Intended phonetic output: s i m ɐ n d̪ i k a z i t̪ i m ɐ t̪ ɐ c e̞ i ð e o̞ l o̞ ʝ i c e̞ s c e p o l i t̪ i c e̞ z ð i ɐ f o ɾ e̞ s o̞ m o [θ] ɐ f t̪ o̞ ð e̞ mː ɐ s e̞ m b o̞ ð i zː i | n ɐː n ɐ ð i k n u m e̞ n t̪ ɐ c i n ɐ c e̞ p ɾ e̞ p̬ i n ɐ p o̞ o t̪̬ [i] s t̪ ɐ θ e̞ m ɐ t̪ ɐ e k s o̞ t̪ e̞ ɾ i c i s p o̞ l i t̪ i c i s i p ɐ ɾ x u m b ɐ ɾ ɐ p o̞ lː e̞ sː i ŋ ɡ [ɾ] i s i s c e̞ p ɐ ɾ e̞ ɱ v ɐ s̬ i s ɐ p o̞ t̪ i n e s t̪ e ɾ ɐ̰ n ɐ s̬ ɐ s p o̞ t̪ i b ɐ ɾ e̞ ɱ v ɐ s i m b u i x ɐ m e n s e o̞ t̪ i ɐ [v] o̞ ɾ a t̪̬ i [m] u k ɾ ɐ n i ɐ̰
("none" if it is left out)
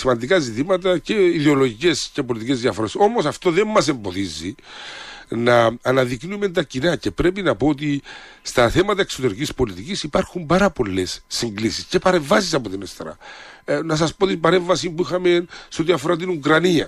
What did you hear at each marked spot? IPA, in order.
s, i, l, f, n

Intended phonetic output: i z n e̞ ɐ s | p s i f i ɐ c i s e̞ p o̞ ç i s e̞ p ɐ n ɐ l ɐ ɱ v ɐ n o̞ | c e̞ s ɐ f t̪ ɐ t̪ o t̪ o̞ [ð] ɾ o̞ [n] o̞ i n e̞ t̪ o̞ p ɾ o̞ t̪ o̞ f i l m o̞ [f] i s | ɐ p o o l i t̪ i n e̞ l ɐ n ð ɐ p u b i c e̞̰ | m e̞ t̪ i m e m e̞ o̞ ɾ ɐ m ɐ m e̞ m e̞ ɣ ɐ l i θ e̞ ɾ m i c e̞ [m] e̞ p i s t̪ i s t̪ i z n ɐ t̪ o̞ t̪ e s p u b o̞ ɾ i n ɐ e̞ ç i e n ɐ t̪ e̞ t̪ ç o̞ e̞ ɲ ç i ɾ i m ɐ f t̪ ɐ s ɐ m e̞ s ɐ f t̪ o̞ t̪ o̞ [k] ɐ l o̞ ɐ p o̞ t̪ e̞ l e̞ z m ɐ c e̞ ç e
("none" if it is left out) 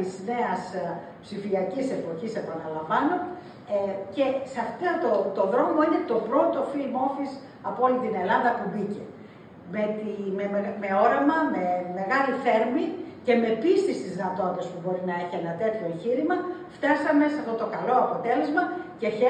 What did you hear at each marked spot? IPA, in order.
ð, m, f, m, k

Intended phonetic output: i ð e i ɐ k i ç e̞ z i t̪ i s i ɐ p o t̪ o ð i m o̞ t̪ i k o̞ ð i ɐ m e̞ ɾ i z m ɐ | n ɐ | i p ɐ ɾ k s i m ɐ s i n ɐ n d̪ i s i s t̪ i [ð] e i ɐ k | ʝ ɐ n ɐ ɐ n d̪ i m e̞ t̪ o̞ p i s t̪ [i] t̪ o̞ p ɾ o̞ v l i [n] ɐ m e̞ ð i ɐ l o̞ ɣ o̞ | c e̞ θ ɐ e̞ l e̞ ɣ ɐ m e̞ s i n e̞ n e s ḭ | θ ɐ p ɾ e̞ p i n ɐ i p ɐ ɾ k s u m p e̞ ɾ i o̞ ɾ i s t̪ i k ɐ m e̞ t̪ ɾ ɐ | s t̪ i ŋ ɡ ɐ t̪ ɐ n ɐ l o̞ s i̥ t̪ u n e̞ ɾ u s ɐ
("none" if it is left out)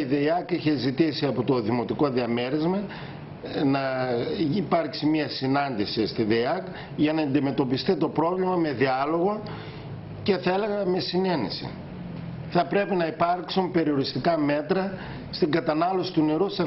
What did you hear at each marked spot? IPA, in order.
ð, i, m

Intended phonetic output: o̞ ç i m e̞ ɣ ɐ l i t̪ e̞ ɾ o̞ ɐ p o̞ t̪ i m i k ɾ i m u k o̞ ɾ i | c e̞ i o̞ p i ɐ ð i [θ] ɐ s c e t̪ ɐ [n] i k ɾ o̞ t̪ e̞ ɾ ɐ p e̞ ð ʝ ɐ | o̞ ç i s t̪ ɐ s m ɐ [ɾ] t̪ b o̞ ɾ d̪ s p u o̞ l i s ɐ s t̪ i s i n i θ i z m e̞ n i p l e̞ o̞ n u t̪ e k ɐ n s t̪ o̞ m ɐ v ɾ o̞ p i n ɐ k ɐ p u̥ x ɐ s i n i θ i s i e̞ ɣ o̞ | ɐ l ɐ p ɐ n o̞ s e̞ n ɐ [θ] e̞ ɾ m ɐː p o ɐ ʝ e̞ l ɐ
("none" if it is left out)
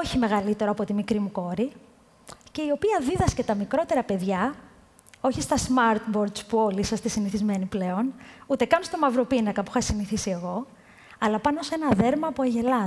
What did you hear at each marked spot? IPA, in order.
ð, m, ɾ, ð

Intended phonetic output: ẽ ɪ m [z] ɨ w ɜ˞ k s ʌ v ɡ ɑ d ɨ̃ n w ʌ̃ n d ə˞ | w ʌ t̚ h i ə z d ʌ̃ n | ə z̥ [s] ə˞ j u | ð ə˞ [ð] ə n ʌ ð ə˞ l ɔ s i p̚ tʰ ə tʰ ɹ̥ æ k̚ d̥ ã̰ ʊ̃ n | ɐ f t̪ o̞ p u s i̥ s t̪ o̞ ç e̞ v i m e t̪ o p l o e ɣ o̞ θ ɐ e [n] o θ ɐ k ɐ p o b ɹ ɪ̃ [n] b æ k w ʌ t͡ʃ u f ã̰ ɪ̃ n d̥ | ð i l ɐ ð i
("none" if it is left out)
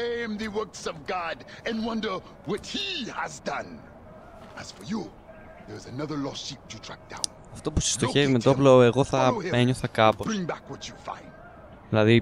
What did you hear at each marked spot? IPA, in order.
ð, f, z, ɲ, ŋ

